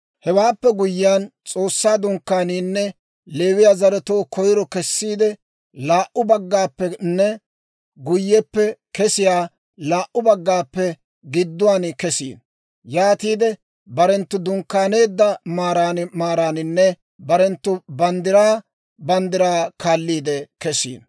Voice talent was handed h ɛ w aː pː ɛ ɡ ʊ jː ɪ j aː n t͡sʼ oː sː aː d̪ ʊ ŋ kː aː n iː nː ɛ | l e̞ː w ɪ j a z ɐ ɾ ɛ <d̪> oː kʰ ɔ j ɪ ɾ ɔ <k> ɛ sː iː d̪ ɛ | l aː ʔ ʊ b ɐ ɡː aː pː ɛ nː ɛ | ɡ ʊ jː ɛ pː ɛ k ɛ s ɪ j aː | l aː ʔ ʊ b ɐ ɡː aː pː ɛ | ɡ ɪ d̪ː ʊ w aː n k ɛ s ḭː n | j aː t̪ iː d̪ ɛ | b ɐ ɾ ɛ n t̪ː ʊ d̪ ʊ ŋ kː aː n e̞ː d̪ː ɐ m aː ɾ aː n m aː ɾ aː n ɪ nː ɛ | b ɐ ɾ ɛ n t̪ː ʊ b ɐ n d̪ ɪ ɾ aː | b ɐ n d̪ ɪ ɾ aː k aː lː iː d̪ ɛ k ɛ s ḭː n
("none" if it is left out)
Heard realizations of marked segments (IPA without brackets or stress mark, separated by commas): t̪, k